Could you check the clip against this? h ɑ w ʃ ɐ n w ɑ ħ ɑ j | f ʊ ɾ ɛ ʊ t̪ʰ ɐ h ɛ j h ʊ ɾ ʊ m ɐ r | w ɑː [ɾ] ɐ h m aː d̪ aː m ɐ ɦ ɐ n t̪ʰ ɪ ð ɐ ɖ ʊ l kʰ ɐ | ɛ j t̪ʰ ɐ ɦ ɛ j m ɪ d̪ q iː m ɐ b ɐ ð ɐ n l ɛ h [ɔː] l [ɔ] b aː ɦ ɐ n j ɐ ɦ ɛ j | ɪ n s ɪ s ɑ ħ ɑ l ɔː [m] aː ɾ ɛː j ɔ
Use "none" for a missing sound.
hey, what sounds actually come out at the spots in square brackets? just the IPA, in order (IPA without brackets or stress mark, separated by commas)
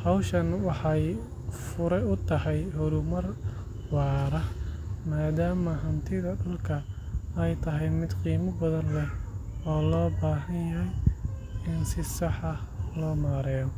ɾ, ɔː, ɔː, m